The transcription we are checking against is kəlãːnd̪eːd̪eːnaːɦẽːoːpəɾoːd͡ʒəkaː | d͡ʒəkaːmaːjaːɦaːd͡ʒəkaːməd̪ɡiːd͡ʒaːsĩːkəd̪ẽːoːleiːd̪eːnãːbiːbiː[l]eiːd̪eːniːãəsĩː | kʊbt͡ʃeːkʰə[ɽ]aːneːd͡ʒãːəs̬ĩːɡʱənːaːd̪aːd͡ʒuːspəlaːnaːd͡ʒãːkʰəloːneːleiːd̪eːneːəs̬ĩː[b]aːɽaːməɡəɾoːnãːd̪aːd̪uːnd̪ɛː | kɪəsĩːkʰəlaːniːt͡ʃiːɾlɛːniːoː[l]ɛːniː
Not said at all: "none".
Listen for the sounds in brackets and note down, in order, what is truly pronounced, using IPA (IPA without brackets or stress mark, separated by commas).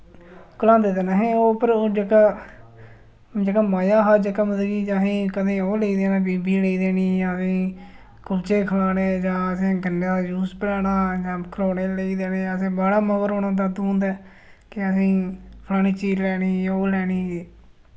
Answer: l, l, b, l